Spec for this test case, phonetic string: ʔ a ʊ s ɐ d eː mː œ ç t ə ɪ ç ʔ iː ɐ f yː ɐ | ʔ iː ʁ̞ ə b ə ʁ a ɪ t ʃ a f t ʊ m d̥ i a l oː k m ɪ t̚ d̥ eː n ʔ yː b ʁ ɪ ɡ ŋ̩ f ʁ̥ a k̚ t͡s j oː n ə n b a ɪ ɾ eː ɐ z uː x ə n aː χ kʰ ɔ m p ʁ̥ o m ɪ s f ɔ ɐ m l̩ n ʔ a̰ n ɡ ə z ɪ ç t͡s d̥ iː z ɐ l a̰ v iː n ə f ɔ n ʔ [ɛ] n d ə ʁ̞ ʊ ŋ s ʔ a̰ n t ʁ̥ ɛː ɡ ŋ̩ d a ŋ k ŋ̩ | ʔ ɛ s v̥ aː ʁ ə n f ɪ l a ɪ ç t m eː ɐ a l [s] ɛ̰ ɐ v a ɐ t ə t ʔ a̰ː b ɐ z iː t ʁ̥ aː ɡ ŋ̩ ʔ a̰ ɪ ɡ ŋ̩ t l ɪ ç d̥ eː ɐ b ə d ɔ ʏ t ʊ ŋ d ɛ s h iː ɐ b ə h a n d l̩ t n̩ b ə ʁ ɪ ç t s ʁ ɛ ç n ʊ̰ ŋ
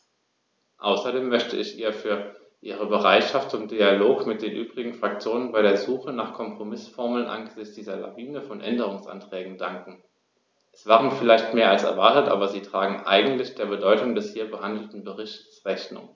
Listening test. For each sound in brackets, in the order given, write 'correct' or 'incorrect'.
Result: correct, correct

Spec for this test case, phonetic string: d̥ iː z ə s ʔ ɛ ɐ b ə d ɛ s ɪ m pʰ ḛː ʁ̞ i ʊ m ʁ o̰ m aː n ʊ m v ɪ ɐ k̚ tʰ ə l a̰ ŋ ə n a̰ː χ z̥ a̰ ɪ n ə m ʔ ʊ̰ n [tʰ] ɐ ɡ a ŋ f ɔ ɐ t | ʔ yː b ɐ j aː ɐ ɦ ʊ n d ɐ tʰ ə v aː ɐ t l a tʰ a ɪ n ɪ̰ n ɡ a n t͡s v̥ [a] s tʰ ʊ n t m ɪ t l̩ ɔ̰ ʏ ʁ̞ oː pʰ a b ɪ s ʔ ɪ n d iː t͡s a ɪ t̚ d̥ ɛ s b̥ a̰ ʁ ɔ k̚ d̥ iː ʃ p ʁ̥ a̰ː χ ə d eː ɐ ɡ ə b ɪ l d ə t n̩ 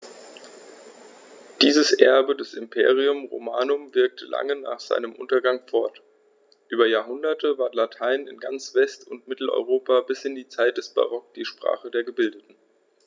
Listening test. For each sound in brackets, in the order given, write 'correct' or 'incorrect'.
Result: incorrect, incorrect

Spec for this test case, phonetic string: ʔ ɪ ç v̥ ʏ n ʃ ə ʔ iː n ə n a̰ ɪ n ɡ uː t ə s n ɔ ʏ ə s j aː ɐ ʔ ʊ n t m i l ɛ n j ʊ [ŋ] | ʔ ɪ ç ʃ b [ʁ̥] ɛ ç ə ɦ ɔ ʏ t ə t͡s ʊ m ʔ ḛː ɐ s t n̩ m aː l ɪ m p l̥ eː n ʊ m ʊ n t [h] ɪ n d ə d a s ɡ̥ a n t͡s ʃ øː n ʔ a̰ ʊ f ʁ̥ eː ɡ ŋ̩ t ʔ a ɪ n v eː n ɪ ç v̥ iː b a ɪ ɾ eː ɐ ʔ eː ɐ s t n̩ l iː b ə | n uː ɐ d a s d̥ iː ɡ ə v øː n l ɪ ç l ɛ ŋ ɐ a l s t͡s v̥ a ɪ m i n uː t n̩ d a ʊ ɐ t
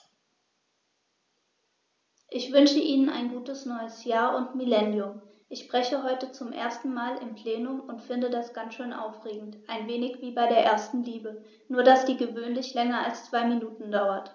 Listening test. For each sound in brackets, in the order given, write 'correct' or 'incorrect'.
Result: incorrect, correct, incorrect

